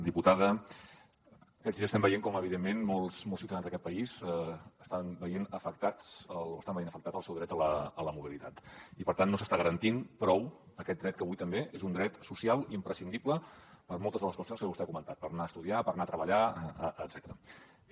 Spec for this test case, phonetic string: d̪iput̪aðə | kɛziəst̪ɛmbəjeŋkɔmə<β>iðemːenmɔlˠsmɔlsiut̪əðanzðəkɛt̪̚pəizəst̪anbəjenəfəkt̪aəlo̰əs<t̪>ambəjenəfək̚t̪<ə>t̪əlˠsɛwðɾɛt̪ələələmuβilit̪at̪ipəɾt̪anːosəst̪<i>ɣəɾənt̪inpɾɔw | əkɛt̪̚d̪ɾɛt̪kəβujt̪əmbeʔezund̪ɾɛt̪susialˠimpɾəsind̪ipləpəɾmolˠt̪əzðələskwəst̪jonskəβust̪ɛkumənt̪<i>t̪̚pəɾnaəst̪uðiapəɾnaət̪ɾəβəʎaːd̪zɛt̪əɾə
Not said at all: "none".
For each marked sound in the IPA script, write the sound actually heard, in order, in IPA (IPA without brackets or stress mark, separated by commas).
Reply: β, t̪, a, a, a